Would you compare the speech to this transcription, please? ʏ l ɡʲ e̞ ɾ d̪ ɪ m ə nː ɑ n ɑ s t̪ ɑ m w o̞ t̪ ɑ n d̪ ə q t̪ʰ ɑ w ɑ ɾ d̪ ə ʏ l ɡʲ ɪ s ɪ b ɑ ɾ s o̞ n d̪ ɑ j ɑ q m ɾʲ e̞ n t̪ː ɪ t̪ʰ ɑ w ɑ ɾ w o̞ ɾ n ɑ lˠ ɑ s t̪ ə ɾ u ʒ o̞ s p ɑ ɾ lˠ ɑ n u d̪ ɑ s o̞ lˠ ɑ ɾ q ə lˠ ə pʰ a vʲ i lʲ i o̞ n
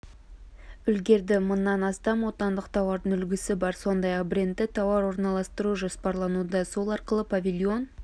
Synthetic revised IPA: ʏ l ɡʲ e̞ ɾ d̪ ɪ m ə nː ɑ n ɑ s t̪ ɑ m w o̞ t̪ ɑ n d̪ ə q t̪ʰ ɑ w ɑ ɾ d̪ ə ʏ l ɡʲ ɪ s ɪ b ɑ ɾ s o̞ n d̪ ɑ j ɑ q b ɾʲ e̞ n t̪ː ɪ t̪ʰ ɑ w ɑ ɾ w o̞ ɾ n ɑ lˠ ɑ s t̪ ə ɾ u ʒ o̞ s p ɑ ɾ lˠ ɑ n u d̪ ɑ s o̞ lˠ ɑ ɾ q ə lˠ ə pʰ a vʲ i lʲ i o̞ n